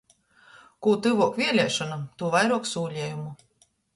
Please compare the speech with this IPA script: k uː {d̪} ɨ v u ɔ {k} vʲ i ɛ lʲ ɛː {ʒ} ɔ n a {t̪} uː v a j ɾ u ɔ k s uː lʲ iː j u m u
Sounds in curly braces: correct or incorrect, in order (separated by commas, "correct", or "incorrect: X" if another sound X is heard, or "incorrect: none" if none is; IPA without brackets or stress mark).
incorrect: t̪, correct, incorrect: ʃ, correct